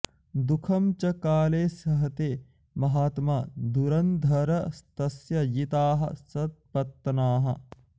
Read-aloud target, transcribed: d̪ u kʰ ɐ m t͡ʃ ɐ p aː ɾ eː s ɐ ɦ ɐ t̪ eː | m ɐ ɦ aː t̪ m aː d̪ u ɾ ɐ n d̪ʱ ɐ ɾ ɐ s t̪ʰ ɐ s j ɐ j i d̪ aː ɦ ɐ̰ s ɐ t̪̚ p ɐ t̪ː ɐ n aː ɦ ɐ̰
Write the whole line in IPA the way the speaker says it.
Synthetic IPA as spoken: d̪ u kʰ ɐ m t͡ʃ ɐ k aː l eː s ɐ ɦ ɐ t̪ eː | m ɐ ɦ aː t̪ m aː d̪ u ɾ ɐ n d̪ʱ ɐ ɾ ɐ s t̪ ɐ s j ɐ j i t̪ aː ɦ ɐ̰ s ɐ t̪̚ p ɐ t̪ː ɐ n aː ɦ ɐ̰